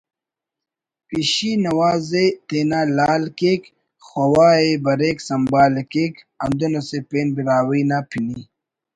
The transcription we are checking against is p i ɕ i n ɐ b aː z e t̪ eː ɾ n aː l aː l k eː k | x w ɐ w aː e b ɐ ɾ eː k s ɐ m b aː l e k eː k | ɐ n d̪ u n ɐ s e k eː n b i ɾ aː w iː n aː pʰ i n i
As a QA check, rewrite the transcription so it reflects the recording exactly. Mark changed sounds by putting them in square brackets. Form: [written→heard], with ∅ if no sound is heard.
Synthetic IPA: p i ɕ i n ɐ [b→w] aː z e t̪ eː [ɾ→∅] n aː l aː l k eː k | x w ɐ w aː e b ɐ ɾ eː k s ɐ m b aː l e k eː k | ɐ n d̪ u n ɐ s e [k→p] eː n b i ɾ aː w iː n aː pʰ i n i